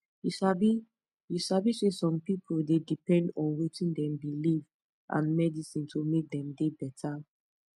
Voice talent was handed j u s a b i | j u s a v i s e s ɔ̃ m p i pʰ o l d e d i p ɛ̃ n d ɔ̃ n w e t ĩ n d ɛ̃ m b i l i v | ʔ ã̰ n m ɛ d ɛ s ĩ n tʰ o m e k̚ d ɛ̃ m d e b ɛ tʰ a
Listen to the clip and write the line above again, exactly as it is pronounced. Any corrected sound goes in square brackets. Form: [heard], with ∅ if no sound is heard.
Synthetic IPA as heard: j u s a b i | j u s a [b] i s e s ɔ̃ m p i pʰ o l d e d i p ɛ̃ n d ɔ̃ n w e t ĩ n d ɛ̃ m b i l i v | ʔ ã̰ n m ɛ d [i] s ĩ n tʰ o m e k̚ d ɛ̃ m d e b ɛ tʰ a

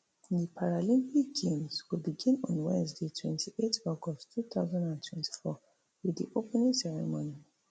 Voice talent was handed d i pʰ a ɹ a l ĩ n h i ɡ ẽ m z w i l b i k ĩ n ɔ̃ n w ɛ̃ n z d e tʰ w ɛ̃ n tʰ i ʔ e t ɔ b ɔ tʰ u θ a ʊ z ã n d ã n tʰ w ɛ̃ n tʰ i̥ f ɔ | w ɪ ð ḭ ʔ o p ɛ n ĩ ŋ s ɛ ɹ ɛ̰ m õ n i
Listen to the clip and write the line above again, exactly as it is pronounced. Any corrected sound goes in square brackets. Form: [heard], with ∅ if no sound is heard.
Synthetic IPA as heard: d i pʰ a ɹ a l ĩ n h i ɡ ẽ m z w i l b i [ɡ] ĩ n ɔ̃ n w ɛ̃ n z d e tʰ w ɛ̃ n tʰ i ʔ e t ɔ [ɡ] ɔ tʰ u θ a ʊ z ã n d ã n tʰ w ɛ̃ n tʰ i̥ f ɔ | w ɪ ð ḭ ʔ o p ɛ n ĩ ŋ s ɛ ɹ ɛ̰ m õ n i

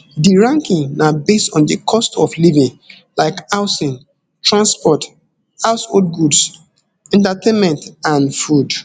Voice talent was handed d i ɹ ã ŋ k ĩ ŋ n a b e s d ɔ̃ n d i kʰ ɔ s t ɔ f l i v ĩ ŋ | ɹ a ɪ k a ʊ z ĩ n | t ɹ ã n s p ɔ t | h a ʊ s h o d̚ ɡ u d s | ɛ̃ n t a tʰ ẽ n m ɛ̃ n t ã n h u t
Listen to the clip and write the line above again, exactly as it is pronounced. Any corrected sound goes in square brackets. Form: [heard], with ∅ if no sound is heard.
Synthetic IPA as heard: d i ɹ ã ŋ k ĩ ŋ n a b e s [t] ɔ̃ n d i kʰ ɔ s t ɔ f l i v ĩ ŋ | [l] a ɪ k a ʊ [s] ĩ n | t ɹ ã n s p ɔ t | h a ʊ s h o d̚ ɡ u d s | ɛ̃ n t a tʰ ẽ n m ɛ̃ n t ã n [f] u [d]

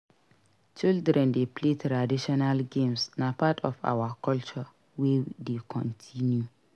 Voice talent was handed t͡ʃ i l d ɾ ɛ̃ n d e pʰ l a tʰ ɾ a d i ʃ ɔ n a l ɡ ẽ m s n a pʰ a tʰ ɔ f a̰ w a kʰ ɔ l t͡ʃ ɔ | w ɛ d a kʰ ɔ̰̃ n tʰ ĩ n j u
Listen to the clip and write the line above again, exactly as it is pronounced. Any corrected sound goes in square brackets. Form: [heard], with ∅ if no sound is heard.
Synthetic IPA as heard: t͡ʃ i l d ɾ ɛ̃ n d e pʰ l [e] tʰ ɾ a d i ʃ ɔ n a l ɡ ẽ m s n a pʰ a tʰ ɔ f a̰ w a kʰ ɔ l t͡ʃ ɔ | w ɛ d [e] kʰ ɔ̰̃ n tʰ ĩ n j u

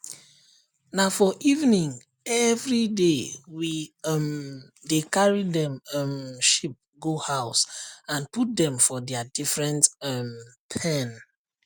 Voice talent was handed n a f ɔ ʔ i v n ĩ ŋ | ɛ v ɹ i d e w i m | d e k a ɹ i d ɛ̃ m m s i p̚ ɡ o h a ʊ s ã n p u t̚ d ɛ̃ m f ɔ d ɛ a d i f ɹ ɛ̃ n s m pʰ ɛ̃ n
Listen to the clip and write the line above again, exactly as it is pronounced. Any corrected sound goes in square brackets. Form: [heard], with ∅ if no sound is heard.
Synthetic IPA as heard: n a f ɔ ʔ i v n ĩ ŋ | ɛ v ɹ i d e w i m | d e k a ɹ i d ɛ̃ m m [ʃ] i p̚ ɡ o h a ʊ s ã n p u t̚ d ɛ̃ m f ɔ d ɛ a d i f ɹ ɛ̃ n [t] m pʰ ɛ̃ n

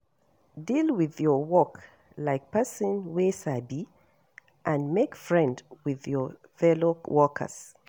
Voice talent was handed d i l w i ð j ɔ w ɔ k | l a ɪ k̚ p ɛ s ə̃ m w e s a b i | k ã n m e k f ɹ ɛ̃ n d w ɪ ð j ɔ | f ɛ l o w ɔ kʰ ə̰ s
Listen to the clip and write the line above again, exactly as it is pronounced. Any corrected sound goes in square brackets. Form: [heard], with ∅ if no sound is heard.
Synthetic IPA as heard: d i l w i ð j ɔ w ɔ k | l a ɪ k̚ p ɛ s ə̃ [n] w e s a b i | [ʔ] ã n m e k f ɹ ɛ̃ n d w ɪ ð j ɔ | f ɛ l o w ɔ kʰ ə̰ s

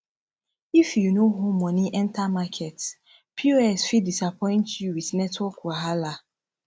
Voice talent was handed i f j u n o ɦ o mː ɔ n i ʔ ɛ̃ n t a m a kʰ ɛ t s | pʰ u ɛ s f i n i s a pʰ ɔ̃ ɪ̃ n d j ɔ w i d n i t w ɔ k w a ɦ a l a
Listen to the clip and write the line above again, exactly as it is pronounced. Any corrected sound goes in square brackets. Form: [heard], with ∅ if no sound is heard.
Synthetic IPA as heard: i f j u n o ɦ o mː ɔ n i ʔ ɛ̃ n t a m a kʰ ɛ t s | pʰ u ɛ s f i [d] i s a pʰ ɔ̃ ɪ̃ n [t] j [u] w i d n [ɛ] t w ɔ k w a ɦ a l a

